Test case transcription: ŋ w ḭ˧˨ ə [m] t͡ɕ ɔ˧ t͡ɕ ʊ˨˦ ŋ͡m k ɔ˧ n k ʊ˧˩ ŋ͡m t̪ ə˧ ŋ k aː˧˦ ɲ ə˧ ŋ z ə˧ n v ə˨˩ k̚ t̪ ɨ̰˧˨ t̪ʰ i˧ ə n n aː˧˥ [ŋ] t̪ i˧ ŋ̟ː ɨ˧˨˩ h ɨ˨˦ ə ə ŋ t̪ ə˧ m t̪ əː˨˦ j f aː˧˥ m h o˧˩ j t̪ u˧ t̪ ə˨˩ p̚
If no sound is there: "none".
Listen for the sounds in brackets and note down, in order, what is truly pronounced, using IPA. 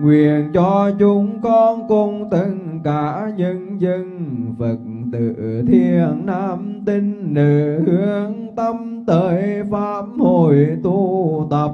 n, m

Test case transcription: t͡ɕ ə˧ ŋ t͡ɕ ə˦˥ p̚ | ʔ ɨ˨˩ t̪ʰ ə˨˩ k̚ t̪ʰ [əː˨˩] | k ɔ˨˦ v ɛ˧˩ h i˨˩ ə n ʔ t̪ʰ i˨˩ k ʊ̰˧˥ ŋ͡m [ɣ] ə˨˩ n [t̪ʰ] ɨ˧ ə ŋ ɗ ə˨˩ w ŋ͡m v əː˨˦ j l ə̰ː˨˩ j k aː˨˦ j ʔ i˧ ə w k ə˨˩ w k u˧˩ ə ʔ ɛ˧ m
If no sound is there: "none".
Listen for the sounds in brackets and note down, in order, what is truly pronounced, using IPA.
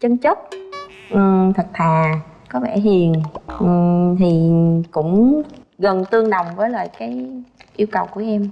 aː˨˩, ɣ, t̪

